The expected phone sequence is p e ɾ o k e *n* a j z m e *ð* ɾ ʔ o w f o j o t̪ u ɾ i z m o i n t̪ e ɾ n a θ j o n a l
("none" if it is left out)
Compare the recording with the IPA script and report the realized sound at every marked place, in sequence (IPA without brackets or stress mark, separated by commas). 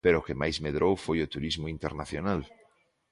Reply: m, ð